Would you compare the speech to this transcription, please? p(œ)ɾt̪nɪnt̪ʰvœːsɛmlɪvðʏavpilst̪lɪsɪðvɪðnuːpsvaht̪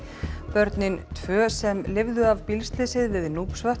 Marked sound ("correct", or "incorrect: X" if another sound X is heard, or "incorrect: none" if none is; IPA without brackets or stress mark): correct